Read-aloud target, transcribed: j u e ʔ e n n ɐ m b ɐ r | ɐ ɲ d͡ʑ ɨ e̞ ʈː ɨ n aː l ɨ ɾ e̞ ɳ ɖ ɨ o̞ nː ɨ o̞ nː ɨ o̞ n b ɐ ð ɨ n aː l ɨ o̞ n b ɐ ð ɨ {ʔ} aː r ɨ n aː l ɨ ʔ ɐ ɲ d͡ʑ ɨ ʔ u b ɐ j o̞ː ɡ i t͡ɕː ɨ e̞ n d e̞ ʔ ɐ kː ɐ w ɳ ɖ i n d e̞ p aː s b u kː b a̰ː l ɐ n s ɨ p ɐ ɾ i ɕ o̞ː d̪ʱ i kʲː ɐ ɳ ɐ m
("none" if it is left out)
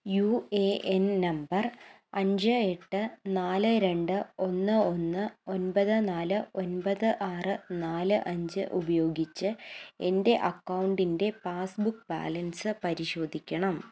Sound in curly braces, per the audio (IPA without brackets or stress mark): ʔ